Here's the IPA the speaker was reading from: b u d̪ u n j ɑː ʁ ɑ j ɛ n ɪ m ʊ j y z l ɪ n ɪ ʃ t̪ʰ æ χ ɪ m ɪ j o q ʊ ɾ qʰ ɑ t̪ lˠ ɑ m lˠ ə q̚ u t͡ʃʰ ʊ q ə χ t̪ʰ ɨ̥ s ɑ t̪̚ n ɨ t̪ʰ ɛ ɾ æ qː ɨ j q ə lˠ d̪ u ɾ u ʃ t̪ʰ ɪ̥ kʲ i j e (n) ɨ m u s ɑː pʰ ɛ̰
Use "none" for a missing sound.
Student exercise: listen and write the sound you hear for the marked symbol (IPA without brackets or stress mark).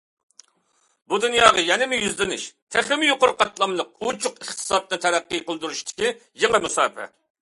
ŋ